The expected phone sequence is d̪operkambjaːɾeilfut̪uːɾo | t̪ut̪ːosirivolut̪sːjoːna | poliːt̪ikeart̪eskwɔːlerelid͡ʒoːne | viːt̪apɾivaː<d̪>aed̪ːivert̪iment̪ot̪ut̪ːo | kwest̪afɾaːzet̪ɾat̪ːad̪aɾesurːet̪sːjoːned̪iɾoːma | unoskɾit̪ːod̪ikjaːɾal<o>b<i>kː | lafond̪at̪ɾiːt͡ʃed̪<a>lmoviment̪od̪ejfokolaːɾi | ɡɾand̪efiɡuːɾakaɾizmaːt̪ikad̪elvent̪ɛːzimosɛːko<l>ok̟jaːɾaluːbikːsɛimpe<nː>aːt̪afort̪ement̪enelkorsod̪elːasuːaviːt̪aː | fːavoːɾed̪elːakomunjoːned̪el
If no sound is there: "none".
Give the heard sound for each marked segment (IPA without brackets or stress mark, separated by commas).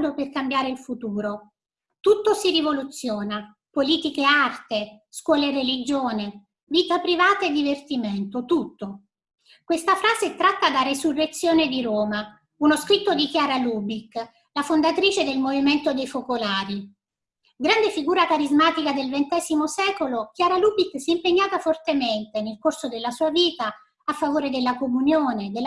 t̪, u, i, e, l, ɲː